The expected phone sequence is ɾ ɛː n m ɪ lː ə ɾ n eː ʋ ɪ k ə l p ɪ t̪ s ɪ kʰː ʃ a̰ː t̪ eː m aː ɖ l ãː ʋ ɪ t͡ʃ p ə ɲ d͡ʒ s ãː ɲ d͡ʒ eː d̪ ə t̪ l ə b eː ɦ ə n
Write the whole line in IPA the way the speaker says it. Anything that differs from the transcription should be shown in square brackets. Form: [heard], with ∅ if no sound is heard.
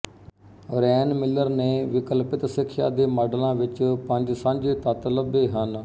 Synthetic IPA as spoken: ɾ ɛː n m ɪ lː ə ɾ n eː ʋ ɪ k ə l p ɪ t̪ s ɪ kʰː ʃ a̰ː [d̪] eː m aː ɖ l ãː ʋ ɪ t͡ʃ p ə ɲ d͡ʒ s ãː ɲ d͡ʒ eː [t̪] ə t̪ l ə b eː ɦ ə n